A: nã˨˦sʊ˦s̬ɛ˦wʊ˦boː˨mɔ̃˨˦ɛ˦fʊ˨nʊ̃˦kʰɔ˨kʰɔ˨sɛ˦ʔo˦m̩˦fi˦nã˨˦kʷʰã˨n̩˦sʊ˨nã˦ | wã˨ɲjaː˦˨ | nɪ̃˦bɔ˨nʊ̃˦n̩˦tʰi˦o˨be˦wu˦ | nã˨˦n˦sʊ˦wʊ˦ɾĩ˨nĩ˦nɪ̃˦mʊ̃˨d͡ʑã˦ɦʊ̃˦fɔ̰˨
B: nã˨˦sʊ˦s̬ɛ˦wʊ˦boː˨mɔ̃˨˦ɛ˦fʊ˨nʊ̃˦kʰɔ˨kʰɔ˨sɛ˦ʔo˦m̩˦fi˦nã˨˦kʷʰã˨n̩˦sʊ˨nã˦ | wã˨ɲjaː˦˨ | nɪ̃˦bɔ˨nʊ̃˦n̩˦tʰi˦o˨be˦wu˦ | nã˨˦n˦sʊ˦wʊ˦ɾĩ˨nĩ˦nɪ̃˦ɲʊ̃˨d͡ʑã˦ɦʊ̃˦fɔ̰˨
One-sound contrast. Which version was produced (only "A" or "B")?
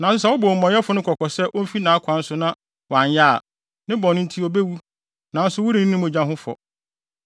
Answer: A